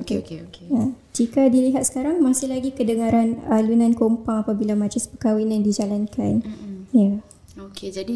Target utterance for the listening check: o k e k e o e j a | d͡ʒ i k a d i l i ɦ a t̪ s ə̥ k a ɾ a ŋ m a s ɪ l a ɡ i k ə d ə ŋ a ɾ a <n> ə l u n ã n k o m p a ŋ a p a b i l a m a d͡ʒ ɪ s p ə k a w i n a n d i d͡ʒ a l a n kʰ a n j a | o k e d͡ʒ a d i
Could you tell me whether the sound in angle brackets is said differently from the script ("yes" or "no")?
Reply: no